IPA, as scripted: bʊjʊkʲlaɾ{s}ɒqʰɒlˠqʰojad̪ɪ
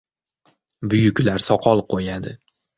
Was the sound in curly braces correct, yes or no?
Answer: yes